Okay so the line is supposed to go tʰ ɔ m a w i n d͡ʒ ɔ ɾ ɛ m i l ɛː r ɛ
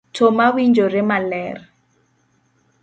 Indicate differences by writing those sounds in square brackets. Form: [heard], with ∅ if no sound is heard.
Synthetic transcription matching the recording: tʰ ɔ m a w i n d͡ʒ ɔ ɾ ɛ m [a] l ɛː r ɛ